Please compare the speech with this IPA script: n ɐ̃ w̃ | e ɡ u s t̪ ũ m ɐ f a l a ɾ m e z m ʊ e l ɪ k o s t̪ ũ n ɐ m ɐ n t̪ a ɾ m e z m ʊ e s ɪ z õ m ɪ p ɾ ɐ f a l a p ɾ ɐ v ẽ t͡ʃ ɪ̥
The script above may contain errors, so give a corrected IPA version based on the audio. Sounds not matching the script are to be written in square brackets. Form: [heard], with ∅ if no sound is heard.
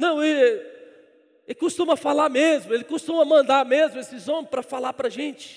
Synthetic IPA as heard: n ɐ̃ w̃ | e [k] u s t̪ ũ m ɐ f a l a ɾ m e z m ʊ e l ɪ k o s t̪ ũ [m] ɐ m [ɐ̃] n [d̪] a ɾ m e z m ʊ e s ɪ z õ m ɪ p ɾ ɐ f a l a p ɾ ɐ [ʒ] ẽ t͡ʃ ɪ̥